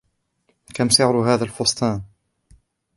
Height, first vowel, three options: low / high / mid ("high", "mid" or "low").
low